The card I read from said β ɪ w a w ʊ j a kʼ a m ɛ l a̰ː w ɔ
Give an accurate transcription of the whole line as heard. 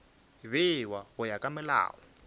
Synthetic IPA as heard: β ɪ w a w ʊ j a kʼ a m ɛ l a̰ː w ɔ